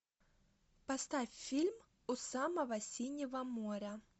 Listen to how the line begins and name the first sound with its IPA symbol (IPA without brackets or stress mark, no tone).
p